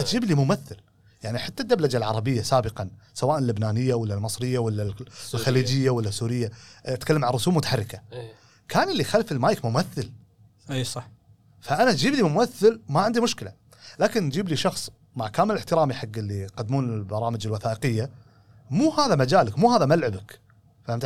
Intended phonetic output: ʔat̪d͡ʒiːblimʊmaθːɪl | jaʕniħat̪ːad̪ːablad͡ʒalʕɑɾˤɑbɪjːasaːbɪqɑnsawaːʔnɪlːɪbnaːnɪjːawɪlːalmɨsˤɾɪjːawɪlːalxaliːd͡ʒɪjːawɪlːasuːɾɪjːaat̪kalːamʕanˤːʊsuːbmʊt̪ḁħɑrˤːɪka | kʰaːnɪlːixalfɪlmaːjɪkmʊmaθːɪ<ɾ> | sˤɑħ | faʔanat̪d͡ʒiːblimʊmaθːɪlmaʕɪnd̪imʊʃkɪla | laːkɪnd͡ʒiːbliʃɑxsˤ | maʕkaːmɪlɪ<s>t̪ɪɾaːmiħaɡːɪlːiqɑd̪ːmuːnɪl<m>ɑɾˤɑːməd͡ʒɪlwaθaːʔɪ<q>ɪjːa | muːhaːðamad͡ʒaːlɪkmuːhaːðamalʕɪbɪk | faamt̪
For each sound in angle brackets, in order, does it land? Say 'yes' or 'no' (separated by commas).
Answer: no, no, no, yes